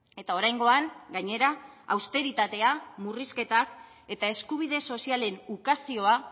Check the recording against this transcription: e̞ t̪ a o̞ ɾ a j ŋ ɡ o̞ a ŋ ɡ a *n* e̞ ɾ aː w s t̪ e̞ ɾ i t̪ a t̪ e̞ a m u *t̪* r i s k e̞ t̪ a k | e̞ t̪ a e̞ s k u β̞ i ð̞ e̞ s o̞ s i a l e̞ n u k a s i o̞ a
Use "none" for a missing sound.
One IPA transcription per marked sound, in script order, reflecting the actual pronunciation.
ɲ, none

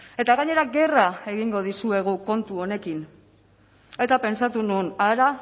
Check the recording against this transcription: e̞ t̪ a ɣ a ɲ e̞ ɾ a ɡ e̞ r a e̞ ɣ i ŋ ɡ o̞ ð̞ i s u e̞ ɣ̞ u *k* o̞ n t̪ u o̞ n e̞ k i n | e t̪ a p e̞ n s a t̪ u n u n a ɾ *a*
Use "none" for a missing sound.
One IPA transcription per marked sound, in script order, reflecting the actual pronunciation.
k, a

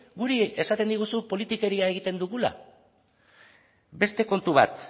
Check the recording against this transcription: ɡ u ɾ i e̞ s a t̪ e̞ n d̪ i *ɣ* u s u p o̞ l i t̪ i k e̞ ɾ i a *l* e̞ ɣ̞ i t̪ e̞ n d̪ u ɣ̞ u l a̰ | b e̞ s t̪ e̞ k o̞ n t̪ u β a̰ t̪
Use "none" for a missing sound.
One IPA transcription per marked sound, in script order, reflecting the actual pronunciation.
ɣ, none

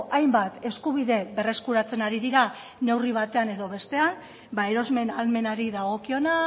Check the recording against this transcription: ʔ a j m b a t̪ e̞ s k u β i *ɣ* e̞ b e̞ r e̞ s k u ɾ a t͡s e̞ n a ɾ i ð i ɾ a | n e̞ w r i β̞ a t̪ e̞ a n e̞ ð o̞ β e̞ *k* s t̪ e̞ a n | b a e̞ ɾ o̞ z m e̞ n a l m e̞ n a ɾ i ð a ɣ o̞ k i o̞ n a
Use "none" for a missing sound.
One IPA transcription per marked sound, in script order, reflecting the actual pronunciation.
ð, none

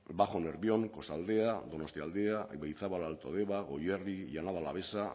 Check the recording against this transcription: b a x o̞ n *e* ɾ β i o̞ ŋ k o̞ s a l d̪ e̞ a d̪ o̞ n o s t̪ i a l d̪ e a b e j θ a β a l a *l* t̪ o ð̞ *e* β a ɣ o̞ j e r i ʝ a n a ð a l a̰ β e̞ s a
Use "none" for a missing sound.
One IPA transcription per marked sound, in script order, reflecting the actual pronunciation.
e, l, e

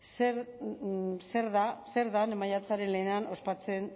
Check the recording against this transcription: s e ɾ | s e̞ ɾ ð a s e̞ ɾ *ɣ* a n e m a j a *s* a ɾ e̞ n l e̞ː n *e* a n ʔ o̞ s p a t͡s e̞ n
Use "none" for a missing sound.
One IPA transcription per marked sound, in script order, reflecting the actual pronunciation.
ð, t͡s, e

